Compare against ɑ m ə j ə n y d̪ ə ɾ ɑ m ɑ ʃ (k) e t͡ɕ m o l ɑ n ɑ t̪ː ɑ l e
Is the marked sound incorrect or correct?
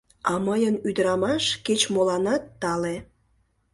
correct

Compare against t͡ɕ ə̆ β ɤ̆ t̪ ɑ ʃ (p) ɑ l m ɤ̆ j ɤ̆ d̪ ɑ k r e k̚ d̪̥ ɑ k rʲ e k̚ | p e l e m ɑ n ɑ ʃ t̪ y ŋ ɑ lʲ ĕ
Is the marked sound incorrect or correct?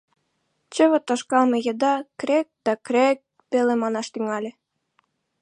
incorrect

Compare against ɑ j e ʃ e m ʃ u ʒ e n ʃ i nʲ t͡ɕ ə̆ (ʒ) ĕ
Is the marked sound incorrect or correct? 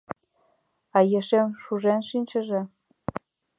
correct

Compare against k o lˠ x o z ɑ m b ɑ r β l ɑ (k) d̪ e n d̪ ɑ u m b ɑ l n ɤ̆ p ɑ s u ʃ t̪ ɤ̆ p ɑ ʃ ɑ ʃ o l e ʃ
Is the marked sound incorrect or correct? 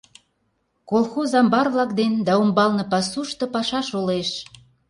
correct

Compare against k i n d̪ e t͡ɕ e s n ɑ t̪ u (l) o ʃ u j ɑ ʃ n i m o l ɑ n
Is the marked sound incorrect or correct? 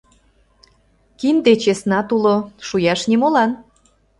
correct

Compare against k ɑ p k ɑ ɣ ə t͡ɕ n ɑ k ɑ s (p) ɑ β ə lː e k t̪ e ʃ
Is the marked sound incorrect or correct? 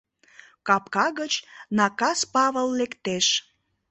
correct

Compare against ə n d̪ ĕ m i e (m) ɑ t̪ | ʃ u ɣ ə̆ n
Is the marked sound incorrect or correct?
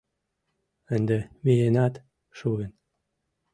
incorrect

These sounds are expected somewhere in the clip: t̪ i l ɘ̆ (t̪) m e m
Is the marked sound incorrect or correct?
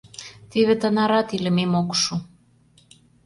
incorrect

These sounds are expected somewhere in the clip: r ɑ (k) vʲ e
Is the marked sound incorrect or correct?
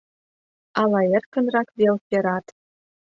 correct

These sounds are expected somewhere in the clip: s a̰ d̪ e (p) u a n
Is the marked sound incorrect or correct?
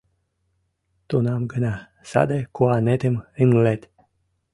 incorrect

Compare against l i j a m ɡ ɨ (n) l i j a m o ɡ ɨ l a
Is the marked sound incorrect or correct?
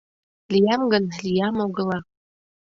correct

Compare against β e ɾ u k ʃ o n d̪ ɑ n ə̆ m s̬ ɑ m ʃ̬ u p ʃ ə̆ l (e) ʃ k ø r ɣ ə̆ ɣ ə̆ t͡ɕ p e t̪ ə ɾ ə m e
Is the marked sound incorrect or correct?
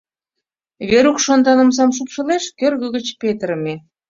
correct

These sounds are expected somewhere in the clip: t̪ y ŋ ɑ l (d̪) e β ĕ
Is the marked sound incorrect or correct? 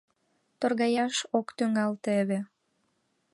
incorrect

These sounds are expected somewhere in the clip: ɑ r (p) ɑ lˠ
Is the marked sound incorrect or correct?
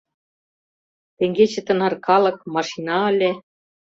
incorrect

